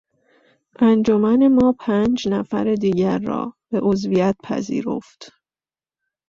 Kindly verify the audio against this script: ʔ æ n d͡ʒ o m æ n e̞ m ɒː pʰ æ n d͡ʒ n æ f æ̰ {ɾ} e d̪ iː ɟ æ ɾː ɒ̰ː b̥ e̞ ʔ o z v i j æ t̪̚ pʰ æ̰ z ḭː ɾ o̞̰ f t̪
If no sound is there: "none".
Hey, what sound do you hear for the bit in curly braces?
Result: ɾ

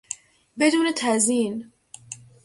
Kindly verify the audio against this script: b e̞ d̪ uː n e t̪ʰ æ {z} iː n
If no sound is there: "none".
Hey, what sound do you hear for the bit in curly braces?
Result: z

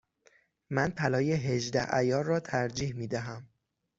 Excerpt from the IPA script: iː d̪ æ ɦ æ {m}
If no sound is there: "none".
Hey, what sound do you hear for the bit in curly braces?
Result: m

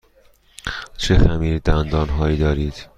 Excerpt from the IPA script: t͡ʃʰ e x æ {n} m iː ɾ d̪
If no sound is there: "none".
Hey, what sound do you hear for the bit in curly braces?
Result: none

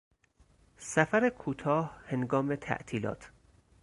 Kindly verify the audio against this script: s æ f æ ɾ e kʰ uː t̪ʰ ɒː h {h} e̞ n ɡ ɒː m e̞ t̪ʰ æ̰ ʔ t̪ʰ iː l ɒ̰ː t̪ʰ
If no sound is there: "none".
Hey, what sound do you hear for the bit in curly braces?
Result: h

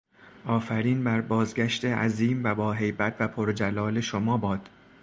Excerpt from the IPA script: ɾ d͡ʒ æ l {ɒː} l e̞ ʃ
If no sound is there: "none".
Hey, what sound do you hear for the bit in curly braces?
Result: ɒː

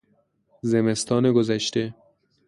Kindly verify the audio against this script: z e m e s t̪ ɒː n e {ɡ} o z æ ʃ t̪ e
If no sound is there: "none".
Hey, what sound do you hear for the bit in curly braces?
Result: ɡ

